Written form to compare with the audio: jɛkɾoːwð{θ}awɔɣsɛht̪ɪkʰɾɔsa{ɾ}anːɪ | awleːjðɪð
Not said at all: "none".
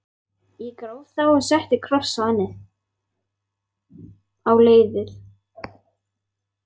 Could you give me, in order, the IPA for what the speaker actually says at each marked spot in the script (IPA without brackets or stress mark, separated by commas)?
θ, none